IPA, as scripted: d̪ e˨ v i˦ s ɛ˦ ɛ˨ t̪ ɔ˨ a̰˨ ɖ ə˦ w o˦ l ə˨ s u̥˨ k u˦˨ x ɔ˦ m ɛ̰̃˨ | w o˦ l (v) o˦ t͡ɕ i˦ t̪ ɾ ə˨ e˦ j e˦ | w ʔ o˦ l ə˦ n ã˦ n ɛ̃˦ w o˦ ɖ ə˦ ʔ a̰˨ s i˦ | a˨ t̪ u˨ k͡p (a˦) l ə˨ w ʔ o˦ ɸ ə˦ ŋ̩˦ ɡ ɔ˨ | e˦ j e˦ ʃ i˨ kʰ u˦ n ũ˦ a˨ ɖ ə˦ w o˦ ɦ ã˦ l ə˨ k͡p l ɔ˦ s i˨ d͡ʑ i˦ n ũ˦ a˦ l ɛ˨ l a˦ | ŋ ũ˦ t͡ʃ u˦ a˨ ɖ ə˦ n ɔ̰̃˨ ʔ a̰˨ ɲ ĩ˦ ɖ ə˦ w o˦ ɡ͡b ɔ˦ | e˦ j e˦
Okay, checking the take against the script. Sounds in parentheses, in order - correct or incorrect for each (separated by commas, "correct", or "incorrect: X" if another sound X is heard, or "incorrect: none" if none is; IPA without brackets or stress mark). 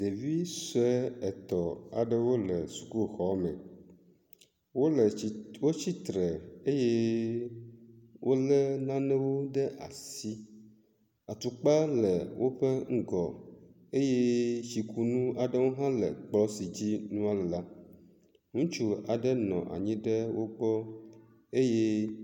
incorrect: w, correct